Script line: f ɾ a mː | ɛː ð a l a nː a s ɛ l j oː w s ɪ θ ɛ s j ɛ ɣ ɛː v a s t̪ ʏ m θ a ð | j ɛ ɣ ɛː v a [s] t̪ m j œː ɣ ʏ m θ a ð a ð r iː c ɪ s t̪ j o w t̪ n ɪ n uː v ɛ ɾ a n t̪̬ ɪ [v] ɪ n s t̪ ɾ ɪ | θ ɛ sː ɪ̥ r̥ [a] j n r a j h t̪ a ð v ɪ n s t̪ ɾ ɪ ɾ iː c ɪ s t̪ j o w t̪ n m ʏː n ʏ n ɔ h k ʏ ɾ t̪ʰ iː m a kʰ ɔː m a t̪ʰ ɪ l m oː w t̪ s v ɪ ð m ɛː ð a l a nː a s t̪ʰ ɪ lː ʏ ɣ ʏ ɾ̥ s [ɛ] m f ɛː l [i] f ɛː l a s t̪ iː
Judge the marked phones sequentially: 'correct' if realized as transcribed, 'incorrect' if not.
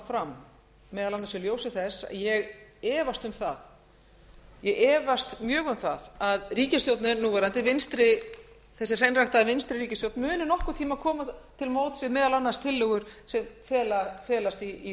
correct, correct, incorrect, correct, incorrect

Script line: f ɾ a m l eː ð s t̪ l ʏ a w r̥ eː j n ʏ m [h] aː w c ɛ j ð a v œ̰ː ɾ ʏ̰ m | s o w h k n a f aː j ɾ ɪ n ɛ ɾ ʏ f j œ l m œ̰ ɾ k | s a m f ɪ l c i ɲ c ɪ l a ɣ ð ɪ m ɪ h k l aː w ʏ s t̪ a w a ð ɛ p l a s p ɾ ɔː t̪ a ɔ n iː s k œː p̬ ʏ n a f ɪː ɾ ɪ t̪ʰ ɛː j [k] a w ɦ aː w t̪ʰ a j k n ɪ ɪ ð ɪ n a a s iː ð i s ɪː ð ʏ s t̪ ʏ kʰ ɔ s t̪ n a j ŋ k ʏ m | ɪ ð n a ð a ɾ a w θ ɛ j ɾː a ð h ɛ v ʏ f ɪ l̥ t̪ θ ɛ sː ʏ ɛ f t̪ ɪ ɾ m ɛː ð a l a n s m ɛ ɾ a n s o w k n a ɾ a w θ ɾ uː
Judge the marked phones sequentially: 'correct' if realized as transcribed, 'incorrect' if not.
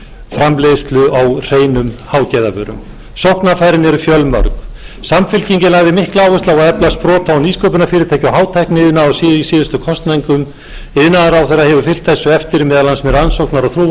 correct, incorrect

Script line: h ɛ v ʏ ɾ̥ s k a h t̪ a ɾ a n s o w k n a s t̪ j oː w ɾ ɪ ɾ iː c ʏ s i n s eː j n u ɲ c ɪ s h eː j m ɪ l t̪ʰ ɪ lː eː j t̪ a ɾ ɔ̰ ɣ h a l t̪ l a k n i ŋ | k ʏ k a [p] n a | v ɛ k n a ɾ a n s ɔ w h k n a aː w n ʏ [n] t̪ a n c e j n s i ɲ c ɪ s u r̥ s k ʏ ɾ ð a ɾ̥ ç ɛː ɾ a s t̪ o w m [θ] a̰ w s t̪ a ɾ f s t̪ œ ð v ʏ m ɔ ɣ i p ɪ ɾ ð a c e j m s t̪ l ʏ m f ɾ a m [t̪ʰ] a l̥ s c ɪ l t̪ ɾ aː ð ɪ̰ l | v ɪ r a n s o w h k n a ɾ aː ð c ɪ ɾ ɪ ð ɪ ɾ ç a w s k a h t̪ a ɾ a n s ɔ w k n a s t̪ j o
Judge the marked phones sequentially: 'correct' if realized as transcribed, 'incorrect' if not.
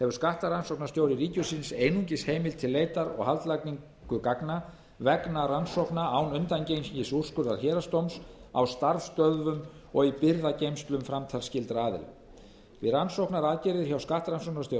incorrect, correct, incorrect, correct

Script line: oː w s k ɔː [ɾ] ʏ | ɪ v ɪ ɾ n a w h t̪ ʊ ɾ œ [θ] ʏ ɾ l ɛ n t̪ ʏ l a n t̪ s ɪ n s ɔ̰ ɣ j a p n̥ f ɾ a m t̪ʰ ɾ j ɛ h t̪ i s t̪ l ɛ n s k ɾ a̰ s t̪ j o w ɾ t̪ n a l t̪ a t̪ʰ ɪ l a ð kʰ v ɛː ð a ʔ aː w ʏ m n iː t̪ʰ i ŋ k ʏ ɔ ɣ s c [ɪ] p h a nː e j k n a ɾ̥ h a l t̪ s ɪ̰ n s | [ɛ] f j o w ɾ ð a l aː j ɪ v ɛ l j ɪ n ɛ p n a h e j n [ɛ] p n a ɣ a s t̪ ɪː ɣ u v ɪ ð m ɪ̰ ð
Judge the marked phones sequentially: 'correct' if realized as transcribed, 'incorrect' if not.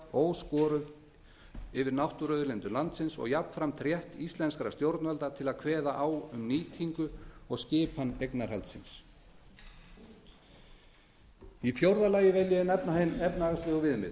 correct, incorrect, incorrect, incorrect, correct

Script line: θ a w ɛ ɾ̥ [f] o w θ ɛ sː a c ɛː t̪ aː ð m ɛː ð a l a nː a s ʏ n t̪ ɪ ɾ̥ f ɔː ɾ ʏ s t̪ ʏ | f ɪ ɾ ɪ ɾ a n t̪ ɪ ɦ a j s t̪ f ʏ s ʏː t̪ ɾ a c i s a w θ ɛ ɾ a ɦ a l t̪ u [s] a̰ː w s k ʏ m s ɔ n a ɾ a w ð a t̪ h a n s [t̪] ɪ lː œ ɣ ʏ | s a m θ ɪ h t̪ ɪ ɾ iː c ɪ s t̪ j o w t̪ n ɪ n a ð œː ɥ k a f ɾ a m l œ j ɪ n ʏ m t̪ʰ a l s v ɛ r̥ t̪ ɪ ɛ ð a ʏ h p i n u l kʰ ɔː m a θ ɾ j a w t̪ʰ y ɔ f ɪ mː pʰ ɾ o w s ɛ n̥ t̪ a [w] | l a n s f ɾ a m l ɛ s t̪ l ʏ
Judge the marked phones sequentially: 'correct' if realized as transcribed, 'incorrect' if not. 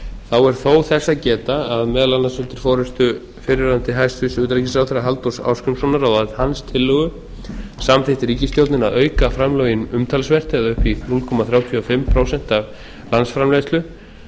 incorrect, correct, incorrect, incorrect

